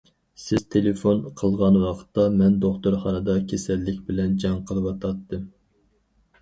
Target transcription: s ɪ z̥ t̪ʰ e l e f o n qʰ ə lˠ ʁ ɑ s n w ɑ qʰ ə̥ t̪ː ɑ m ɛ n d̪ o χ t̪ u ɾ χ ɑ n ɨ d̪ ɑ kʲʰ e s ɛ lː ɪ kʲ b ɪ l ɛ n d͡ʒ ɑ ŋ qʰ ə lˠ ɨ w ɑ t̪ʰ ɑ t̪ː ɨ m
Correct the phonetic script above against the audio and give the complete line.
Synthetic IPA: s ɪ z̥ t̪ʰ e l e f o n qʰ ə lˠ ʁ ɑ n w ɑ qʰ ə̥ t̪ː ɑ m ɛ n d̪ o χ t̪ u ɾ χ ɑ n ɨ d̪ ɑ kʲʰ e s ɛ lː ɪ kʲ b ɪ l ɛ n d͡ʒ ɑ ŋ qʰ ə lˠ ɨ w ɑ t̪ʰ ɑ t̪ː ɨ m